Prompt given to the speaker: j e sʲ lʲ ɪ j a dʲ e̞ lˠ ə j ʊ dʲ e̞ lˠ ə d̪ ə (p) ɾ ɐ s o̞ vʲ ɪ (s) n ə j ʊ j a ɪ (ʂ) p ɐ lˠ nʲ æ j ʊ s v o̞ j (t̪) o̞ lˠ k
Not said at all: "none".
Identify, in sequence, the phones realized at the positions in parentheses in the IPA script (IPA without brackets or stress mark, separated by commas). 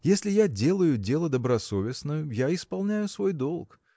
b, s, s, d̪